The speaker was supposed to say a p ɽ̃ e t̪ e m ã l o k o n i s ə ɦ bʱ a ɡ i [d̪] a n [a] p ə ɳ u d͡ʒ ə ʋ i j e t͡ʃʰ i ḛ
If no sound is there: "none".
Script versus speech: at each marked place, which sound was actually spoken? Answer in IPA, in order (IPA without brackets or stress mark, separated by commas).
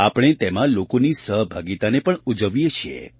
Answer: t̪, e